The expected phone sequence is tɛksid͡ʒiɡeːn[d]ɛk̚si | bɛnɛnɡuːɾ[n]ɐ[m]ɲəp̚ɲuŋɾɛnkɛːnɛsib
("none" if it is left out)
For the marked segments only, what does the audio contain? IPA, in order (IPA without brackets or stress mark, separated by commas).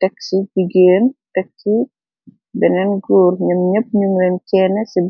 t, ɲ, m